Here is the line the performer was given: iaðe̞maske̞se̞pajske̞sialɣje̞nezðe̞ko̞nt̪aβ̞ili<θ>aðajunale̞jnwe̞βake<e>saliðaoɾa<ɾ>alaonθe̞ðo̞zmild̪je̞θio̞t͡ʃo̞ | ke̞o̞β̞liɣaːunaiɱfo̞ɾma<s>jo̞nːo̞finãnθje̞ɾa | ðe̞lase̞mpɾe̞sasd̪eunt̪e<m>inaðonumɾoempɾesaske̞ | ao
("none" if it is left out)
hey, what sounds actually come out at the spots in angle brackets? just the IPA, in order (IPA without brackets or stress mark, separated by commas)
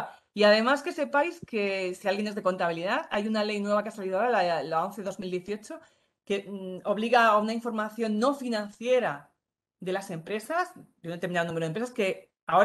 ð, a, l, θ, m